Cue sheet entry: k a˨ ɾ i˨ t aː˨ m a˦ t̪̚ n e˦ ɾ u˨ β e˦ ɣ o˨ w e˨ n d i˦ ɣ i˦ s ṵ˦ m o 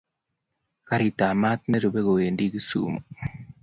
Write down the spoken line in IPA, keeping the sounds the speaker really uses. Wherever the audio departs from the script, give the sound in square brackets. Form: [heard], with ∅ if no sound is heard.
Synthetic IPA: k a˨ ɾ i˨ t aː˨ m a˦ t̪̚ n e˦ ɾ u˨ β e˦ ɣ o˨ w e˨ n d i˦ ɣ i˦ s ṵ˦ m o